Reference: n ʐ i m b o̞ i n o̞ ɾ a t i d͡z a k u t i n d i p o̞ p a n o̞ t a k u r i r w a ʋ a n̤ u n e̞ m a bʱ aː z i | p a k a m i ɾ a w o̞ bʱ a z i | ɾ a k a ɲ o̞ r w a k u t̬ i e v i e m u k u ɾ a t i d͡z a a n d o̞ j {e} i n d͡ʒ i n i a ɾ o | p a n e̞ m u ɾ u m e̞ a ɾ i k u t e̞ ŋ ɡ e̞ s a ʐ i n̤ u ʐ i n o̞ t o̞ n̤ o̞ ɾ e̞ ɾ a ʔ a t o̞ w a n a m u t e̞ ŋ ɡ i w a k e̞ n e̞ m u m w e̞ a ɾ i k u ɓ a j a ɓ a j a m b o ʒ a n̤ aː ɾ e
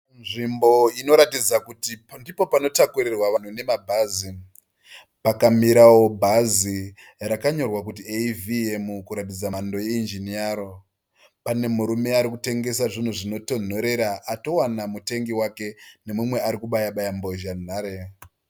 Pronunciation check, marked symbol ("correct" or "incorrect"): correct